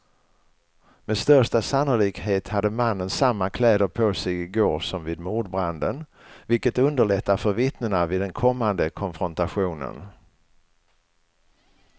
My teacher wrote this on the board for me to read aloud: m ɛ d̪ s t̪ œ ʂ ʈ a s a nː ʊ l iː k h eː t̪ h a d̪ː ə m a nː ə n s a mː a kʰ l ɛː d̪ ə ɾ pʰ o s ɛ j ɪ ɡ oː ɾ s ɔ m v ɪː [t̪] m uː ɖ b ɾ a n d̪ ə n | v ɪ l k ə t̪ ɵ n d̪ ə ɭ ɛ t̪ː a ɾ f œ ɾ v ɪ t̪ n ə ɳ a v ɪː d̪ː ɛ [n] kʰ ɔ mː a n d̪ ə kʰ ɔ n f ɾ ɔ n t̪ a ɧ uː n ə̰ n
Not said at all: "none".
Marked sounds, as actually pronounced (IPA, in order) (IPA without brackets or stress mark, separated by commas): d̪, n